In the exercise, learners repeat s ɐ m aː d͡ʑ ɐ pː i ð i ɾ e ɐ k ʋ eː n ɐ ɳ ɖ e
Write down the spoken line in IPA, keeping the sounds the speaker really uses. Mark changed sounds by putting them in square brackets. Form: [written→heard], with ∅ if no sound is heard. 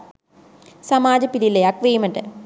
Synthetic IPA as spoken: s ɐ m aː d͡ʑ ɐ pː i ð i [ɾ→l] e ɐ k ʋ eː [n→m] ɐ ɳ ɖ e